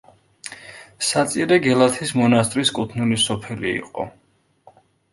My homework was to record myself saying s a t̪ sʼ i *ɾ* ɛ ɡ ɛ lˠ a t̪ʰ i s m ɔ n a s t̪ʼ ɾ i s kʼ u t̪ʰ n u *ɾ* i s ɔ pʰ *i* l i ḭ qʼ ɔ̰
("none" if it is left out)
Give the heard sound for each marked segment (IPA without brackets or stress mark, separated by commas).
ɾ, l, ɛ